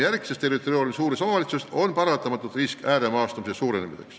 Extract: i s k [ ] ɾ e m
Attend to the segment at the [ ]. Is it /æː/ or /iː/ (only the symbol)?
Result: æː